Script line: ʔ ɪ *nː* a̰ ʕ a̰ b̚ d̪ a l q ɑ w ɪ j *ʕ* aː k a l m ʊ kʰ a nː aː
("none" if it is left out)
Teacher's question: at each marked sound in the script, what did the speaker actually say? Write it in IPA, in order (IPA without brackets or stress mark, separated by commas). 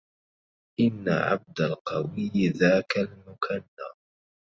nː, ð